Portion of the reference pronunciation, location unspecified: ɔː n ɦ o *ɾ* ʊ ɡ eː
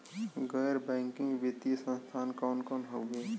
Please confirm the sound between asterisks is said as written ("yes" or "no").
no